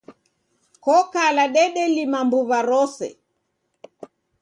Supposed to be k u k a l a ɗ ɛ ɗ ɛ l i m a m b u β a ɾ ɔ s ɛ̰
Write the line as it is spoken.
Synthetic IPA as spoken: k ɔ k a l a ɗ ɛ ɗ ɛ l i m a m b u β a ɾ ɔ s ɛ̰